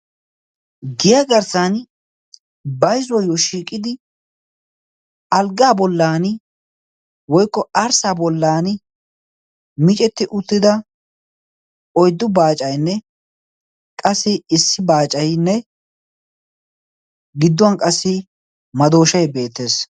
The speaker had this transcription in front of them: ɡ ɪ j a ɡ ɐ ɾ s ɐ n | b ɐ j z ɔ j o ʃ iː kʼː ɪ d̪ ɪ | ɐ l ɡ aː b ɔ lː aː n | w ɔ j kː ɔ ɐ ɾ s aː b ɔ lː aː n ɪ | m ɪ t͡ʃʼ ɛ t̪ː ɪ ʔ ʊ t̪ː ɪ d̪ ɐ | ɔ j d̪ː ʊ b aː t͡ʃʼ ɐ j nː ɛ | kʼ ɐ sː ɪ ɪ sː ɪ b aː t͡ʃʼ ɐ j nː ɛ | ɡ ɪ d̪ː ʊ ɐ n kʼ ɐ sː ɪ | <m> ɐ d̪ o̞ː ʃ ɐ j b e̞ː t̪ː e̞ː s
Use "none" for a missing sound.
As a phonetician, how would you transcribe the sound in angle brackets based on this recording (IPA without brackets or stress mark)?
m